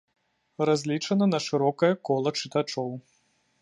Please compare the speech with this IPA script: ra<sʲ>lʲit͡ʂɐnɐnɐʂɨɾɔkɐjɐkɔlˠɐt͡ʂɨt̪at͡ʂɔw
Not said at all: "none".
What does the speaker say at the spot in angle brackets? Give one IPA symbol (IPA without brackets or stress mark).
zʲ